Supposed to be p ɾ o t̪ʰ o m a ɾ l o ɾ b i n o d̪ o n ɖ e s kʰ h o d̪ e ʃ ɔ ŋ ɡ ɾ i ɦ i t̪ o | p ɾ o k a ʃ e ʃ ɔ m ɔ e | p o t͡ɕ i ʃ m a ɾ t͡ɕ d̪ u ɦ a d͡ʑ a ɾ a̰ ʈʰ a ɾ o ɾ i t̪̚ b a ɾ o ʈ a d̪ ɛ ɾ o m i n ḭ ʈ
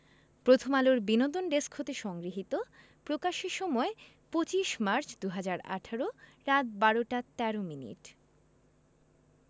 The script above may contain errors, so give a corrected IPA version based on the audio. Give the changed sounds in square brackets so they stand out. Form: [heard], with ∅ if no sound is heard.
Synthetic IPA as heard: p ɾ o t̪ʰ o m a [∅] l o ɾ b i n o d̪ o n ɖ e s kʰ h o [t̪] e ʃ ɔ ŋ ɡ ɾ i ɦ i t̪ o | p ɾ o k a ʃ e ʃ ɔ m ɔ e | p o t͡ɕ i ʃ m a ɾ t͡ɕ d̪ u ɦ a d͡ʑ a ɾ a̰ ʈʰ a ɾ o ɾ [a] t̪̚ b a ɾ o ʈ a [t̪] ɛ ɾ o m i n ḭ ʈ